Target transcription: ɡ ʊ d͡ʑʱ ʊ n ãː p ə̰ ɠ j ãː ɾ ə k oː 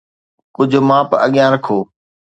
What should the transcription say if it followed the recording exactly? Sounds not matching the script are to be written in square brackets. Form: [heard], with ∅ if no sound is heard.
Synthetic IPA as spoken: [k] ʊ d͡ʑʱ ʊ [m] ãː p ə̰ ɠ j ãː ɾ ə [kʰ] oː